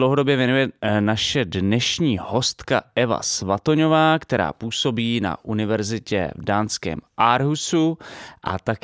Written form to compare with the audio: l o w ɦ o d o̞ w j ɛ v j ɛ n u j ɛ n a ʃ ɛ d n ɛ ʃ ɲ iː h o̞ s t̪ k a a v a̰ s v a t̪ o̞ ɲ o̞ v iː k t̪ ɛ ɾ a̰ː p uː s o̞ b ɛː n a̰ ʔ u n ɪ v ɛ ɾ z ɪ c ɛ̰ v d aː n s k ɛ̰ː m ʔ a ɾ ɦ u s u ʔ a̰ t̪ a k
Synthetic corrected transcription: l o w ɦ o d o̞ b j ɛ v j ɛ n u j ɛ n a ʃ ɛ d n ɛ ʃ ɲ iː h o̞ s t̪ k a ɛ v a̰ s v a t̪ o̞ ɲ o̞ v aː k t̪ ɛ ɾ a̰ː p uː s o̞ b iː n a̰ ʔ u n ɪ v ɛ ɾ z ɪ c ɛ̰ v d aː n s k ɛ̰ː m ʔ a ɾ ɦ u s u ʔ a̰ t̪ a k